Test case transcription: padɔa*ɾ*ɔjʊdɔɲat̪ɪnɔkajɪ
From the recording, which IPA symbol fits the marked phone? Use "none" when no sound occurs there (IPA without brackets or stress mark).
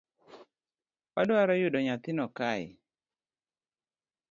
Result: ɾ